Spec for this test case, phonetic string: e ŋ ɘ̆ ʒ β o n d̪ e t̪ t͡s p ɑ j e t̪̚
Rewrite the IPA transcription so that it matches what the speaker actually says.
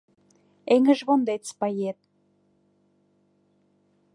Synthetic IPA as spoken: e ŋ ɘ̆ ʒ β o n d̪ e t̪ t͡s p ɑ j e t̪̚